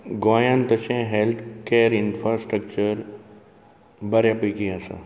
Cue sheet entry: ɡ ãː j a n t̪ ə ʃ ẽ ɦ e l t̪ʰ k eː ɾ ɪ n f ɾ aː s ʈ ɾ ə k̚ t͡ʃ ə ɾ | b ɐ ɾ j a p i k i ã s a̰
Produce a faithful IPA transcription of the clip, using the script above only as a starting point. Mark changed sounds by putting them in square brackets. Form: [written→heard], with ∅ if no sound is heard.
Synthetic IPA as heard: ɡ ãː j a n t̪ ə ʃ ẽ ɦ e l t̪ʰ k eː ɾ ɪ n f ɾ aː s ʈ ɾ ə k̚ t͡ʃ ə ɾ | b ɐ ɾ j a p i k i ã s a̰